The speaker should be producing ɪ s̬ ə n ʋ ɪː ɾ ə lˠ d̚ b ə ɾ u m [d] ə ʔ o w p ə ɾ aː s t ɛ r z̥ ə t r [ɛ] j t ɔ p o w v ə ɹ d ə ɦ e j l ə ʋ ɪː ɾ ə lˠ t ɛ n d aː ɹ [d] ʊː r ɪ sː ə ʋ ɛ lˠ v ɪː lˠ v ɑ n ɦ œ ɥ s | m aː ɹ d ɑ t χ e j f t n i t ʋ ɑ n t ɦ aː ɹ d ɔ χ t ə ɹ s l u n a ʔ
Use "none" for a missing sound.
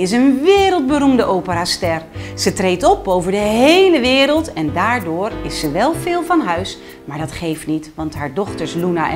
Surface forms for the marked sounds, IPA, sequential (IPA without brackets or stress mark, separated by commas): d, e, d